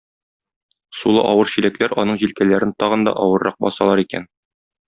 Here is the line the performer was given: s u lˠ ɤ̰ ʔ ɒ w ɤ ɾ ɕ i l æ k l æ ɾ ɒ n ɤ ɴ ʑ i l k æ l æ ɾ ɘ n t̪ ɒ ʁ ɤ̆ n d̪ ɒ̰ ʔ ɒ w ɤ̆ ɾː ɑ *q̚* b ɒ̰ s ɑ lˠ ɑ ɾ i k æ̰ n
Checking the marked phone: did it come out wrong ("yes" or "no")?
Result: no